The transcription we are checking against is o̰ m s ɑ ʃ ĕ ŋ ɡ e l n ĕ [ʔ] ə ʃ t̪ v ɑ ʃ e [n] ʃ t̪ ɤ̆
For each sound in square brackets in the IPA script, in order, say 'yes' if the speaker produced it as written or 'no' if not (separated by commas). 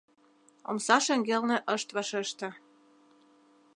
yes, no